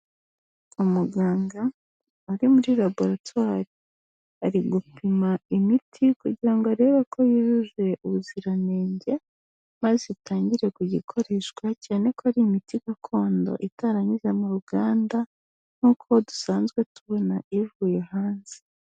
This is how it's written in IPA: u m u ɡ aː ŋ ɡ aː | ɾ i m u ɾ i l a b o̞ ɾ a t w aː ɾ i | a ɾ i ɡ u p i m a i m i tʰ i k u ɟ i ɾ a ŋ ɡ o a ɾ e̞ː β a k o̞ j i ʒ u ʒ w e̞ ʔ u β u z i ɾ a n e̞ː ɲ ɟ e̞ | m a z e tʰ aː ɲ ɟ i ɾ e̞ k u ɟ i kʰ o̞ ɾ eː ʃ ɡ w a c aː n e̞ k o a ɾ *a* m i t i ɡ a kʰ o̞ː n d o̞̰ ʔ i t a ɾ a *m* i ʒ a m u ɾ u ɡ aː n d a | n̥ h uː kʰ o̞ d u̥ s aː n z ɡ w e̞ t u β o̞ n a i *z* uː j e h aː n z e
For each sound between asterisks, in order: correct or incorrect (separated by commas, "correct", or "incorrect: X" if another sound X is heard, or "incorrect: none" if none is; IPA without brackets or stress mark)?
incorrect: i, incorrect: ɲ, incorrect: v